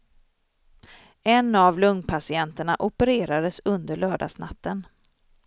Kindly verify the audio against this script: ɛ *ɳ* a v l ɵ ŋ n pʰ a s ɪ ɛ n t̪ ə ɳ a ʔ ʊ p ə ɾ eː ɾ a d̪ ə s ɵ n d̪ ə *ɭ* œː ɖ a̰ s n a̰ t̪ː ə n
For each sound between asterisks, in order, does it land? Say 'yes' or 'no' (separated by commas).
no, yes